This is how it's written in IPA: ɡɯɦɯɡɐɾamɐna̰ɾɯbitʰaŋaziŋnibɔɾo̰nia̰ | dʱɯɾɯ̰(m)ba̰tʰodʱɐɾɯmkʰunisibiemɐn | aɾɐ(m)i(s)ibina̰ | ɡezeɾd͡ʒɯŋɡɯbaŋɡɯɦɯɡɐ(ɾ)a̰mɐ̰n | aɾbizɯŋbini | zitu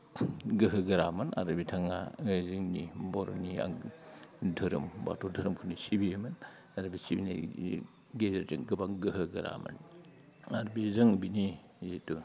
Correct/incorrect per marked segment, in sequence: correct, incorrect, correct, correct

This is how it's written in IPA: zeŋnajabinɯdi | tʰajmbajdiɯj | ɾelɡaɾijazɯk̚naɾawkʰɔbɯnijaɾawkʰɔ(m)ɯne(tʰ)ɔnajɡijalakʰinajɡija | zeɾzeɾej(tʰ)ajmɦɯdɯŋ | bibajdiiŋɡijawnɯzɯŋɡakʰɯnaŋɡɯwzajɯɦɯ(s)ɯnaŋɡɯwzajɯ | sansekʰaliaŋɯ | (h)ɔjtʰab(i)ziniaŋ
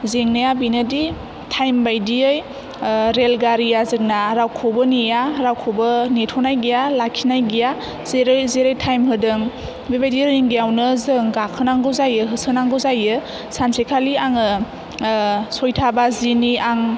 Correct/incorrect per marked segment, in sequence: incorrect, correct, correct, correct, incorrect, incorrect

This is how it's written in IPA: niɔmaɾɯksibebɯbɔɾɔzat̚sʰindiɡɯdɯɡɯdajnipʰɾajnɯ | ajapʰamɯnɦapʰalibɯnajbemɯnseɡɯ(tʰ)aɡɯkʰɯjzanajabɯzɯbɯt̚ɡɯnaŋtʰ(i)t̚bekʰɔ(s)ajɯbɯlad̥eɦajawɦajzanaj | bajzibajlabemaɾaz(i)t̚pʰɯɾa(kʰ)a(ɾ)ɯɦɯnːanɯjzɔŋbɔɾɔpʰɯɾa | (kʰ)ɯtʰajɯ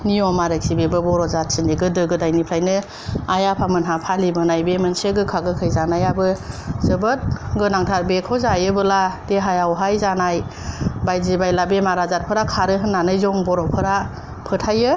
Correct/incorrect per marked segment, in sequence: incorrect, incorrect, incorrect, incorrect, correct, correct, incorrect

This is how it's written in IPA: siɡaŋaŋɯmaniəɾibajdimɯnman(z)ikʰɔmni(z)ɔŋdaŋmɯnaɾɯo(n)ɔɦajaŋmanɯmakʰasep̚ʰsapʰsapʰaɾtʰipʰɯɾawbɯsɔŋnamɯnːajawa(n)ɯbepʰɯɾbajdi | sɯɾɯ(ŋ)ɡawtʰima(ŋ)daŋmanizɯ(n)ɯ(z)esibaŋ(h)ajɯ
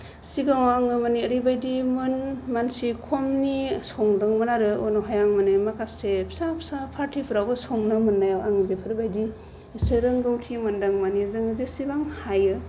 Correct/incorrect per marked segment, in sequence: incorrect, incorrect, correct, incorrect, correct, incorrect, incorrect, correct, correct

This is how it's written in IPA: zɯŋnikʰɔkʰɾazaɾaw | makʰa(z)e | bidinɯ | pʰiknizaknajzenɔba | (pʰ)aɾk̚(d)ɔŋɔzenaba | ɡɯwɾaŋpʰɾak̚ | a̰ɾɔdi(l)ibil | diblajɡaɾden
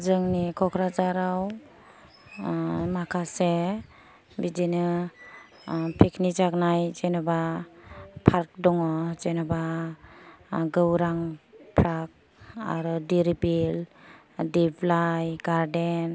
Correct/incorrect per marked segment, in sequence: incorrect, correct, correct, incorrect

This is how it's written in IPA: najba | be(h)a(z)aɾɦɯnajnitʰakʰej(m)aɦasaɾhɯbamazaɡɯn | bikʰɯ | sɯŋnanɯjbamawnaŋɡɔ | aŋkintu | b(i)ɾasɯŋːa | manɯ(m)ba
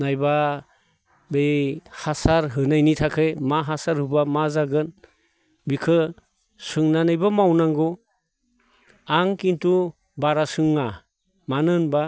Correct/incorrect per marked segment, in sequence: correct, incorrect, correct, incorrect, incorrect

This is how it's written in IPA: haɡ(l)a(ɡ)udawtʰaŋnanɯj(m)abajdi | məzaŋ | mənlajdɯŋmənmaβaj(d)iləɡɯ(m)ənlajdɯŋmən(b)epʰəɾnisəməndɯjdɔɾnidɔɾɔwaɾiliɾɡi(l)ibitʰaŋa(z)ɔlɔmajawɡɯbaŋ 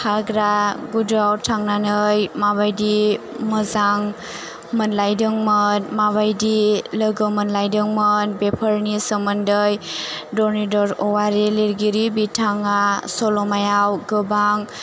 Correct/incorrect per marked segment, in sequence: incorrect, correct, correct, correct, correct, correct, incorrect, incorrect

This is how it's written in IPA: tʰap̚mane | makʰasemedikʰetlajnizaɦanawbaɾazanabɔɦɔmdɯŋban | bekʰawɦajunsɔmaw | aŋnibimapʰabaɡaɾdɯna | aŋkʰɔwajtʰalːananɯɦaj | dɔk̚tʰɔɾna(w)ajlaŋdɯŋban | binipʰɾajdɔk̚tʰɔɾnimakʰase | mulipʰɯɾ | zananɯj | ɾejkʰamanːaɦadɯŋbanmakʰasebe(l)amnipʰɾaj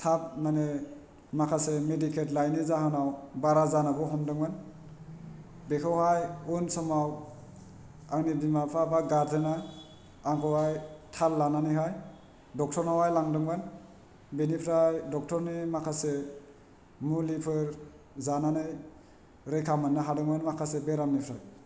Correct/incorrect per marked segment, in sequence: correct, incorrect

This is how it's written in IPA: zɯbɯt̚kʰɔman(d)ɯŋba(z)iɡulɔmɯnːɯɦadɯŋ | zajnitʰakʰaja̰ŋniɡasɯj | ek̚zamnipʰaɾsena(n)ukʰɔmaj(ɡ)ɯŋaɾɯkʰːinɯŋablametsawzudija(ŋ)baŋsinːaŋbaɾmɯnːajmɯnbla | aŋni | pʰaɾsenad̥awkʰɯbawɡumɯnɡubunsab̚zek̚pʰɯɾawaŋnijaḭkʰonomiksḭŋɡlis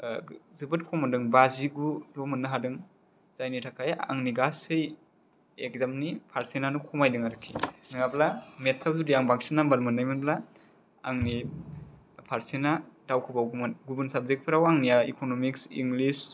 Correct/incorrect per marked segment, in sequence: correct, correct, correct, incorrect, correct

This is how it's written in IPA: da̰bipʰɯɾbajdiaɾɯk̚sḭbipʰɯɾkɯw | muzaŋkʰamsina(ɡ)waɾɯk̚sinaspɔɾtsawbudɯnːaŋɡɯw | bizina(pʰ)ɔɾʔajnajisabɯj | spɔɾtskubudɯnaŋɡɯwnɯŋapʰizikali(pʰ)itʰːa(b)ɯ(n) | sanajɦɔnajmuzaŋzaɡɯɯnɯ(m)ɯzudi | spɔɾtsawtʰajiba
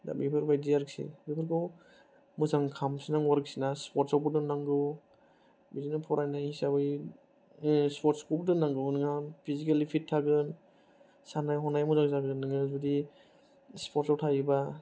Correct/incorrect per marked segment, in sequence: incorrect, correct, correct, incorrect, correct, incorrect

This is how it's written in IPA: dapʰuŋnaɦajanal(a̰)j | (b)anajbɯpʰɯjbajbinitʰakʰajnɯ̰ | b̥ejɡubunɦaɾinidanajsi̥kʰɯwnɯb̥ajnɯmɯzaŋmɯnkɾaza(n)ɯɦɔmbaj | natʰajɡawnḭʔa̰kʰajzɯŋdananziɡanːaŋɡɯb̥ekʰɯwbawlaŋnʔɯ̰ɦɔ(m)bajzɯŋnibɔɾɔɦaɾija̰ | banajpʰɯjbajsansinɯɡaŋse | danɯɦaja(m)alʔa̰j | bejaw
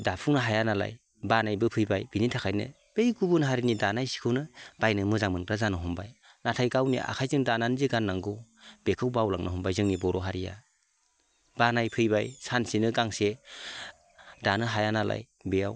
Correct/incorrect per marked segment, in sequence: correct, correct, correct, correct, incorrect

